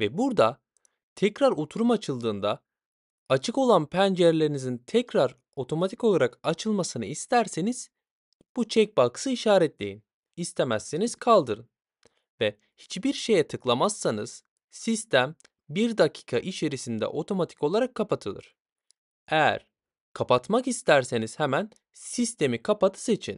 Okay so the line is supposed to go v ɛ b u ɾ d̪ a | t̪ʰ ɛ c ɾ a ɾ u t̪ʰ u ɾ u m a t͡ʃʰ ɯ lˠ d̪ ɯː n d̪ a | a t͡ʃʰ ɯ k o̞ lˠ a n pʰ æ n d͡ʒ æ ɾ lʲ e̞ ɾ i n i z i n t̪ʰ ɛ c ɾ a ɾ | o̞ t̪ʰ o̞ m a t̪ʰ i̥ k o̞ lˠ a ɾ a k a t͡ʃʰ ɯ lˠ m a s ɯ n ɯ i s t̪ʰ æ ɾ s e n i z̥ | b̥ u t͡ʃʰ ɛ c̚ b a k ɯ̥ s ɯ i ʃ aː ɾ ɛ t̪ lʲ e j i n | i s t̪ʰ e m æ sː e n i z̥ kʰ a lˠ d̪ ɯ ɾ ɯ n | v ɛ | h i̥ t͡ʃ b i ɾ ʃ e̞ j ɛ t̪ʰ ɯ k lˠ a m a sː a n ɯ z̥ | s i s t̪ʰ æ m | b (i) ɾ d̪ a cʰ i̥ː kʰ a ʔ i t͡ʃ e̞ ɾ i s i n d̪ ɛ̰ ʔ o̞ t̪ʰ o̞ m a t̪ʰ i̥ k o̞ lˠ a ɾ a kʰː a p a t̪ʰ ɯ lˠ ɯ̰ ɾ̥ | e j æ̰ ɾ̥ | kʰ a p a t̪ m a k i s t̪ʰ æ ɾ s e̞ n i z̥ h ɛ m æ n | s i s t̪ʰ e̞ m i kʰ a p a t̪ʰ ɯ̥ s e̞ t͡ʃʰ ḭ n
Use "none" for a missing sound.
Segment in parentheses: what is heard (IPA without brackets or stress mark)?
i